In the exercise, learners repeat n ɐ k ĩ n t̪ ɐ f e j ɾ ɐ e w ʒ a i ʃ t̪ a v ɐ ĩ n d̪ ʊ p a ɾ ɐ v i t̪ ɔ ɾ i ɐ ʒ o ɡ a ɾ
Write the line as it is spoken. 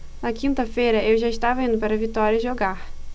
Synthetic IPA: n ɐ k ĩ n t̪ ɐ f e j ɾ ɐ e w ʒ a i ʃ t̪ a v ɐ ĩ n d̪ ʊ p a ɾ ɐ v i t̪ ɔ ɾ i ɐ ʒ o ɡ a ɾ